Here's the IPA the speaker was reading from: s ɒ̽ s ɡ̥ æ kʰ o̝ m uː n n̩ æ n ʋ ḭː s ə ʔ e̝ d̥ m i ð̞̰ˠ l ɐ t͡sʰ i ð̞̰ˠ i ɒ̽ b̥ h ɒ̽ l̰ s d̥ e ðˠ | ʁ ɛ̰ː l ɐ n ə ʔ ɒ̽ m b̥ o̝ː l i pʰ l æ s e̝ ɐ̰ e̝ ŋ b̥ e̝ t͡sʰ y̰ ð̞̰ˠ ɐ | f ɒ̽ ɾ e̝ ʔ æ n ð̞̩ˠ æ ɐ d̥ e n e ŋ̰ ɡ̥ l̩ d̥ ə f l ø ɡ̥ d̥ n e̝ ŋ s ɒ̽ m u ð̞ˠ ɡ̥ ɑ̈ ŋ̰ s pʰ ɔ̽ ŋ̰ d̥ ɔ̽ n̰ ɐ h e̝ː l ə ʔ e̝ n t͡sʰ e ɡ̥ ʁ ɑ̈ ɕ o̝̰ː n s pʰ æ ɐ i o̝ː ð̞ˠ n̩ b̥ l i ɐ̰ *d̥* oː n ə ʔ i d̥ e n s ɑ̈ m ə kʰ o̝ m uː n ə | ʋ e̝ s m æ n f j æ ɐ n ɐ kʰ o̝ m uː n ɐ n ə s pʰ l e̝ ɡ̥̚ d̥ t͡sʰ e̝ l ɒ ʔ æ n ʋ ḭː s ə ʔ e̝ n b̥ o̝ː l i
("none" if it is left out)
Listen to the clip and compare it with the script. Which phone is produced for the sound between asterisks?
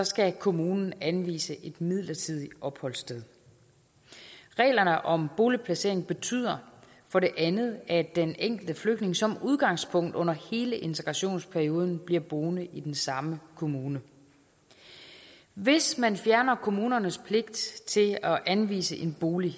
b̥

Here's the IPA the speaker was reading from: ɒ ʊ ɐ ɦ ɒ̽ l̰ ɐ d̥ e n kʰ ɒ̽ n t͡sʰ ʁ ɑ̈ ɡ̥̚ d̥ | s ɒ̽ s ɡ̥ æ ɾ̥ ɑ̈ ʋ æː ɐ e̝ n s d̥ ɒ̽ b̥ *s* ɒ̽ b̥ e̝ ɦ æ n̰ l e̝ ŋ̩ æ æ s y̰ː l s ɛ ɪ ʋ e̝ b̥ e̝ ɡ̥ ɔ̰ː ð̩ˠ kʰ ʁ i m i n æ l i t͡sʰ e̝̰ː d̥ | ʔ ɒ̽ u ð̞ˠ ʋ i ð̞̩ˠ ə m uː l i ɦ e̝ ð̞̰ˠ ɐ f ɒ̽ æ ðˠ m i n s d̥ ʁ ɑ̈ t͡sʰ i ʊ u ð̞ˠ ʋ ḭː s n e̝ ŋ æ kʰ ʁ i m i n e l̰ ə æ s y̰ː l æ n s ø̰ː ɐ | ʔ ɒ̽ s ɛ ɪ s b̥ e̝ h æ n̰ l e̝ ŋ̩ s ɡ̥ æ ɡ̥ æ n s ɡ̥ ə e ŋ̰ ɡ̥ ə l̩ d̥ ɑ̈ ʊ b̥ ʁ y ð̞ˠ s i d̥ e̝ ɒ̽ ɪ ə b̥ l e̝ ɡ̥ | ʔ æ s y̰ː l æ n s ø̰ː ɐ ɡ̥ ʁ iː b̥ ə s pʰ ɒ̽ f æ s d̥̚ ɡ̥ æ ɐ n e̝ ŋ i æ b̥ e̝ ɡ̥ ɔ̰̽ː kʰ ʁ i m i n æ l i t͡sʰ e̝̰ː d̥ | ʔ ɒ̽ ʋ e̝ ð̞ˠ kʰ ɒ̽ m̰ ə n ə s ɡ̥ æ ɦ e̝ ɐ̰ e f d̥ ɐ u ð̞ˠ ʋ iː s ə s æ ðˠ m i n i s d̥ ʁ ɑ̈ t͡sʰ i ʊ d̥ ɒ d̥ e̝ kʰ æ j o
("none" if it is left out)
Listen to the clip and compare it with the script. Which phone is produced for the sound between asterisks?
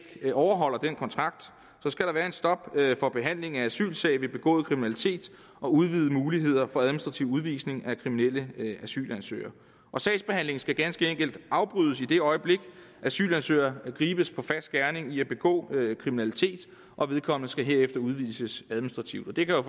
f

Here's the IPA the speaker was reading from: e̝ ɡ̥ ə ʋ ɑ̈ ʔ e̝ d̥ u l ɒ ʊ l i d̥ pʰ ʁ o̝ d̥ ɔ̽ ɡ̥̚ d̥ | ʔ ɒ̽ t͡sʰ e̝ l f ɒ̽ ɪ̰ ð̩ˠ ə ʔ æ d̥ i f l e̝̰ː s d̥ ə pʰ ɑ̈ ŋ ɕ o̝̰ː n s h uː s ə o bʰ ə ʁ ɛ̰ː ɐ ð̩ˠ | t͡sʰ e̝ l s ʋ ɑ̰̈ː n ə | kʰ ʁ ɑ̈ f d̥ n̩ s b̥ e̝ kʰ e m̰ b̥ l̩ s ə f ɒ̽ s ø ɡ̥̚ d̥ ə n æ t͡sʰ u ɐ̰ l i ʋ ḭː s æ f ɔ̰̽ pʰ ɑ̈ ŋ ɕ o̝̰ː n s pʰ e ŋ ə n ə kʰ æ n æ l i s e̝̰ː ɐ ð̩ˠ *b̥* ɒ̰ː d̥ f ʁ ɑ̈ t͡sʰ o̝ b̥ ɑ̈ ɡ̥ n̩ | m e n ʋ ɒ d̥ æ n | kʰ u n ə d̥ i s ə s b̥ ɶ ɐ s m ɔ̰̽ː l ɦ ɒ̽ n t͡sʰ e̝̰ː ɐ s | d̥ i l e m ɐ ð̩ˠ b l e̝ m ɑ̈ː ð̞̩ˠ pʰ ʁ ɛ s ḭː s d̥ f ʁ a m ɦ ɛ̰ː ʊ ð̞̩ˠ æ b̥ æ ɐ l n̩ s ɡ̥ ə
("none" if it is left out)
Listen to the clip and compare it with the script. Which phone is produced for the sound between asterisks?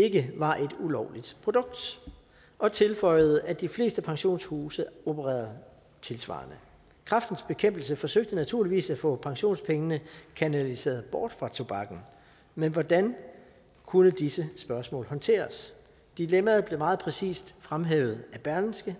b̥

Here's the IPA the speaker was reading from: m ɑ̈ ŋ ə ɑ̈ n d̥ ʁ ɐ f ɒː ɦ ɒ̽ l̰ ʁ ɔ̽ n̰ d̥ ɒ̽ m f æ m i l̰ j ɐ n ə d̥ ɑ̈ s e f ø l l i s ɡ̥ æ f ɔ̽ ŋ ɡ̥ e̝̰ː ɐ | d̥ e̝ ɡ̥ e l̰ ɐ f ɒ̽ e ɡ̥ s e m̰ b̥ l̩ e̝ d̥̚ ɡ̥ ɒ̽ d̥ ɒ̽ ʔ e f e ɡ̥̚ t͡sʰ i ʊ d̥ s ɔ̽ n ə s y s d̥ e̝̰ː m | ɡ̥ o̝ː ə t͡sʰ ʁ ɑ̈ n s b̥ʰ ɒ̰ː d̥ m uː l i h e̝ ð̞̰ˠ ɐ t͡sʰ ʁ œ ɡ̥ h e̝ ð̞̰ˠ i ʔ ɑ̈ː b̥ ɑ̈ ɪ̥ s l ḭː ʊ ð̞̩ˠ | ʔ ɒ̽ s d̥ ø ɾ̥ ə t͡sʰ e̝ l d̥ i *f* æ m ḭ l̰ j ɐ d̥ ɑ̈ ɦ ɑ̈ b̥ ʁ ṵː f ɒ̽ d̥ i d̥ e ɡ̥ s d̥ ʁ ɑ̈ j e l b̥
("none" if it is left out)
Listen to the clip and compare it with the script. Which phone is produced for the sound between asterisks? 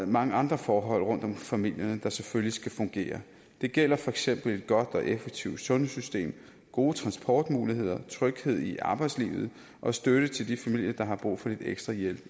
f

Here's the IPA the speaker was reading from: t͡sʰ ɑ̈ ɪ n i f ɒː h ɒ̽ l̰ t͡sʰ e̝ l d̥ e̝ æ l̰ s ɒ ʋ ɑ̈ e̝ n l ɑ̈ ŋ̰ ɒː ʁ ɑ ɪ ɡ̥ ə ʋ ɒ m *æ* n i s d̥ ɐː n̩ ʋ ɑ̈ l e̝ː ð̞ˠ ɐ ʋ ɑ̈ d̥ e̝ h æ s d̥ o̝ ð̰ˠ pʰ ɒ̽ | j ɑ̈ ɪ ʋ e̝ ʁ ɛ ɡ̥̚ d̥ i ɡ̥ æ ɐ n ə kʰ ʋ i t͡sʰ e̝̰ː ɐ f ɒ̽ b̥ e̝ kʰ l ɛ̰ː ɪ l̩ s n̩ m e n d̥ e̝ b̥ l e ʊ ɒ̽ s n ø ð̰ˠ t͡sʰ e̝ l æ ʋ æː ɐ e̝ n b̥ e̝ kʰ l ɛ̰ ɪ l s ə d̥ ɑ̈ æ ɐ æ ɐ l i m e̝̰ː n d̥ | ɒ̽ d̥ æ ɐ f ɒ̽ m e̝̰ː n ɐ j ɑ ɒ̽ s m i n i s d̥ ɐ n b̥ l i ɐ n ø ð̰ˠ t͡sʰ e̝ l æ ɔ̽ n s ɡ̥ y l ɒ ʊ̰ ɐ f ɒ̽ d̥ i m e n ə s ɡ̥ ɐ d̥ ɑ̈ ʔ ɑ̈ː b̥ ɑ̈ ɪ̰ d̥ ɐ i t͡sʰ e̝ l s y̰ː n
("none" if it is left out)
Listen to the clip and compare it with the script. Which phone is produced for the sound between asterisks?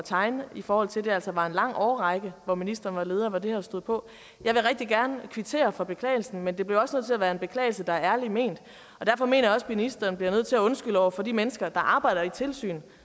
i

